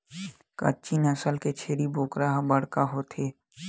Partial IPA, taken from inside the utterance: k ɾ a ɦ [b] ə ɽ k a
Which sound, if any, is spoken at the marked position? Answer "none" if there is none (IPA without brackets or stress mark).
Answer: b